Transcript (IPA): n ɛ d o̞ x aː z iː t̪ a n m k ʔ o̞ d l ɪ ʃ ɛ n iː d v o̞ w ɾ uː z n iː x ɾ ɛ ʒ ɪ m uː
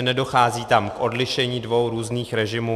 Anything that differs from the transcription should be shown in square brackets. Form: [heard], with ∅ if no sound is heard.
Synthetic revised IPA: n ɛ d o̞ x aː z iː t̪ a [∅] m k ʔ o̞ d l ɪ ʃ ɛ [ɲ] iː d v o̞ w ɾ uː z n iː x ɾ ɛ ʒ ɪ m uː